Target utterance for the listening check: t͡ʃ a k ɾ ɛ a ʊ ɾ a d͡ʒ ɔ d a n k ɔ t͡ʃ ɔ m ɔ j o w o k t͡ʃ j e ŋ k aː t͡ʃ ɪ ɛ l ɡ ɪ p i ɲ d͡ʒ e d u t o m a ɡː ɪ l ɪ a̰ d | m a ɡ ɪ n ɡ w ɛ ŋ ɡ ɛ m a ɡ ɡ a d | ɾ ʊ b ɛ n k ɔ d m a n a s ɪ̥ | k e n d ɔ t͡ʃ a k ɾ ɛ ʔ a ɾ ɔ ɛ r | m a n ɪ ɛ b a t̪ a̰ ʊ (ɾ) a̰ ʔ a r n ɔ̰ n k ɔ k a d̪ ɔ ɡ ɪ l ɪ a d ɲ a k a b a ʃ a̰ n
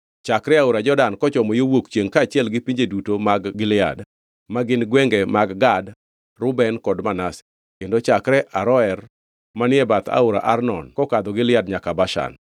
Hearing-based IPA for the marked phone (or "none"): ɾ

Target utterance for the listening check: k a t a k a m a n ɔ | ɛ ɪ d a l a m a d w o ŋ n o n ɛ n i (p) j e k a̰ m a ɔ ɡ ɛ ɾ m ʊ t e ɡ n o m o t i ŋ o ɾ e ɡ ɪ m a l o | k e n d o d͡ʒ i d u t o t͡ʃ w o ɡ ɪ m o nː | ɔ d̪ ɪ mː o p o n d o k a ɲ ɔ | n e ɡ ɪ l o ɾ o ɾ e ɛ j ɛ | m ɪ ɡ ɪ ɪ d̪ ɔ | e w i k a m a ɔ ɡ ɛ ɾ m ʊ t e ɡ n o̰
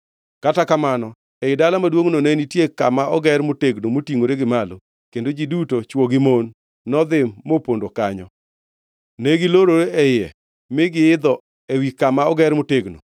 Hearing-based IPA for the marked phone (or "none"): t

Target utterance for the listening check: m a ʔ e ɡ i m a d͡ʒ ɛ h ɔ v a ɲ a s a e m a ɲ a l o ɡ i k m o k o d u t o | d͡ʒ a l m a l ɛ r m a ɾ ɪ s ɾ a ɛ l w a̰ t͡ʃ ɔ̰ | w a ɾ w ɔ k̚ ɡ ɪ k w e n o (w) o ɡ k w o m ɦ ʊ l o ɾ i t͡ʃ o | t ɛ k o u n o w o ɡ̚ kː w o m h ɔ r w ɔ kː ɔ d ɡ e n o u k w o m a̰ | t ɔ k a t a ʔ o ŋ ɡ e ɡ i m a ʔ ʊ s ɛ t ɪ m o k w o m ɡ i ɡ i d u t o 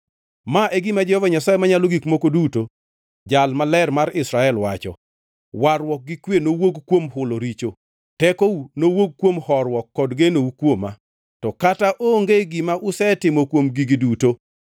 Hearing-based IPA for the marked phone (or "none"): w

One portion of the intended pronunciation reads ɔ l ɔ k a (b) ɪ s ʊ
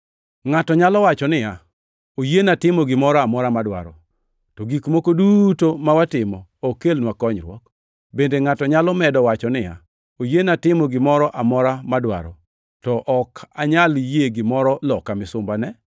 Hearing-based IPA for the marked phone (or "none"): m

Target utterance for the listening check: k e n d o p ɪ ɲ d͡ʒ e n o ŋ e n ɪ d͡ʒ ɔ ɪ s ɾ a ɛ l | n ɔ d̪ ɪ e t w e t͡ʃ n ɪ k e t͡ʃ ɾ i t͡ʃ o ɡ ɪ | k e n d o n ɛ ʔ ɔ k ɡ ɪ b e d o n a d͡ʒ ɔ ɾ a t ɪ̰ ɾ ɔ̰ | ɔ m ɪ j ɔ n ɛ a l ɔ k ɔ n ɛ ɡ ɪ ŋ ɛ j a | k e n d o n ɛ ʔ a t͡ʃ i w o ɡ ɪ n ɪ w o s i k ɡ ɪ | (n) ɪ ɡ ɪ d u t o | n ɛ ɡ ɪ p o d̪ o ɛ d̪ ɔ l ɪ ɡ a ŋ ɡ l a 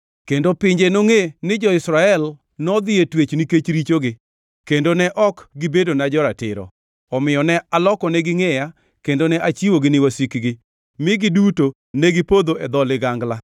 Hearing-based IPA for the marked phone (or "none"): m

